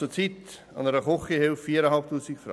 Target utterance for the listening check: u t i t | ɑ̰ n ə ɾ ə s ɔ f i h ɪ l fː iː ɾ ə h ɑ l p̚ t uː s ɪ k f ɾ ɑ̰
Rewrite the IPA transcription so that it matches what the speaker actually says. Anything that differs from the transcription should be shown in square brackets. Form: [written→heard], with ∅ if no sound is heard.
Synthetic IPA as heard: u [t→t͡s] i t | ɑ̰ n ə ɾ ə [s→χ] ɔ [f→χ] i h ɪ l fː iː ɾ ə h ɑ l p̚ t uː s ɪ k f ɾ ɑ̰